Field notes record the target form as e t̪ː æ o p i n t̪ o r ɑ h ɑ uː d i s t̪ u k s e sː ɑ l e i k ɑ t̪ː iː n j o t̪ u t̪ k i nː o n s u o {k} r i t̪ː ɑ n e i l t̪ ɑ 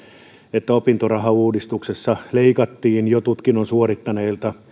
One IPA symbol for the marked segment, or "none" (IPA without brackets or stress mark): none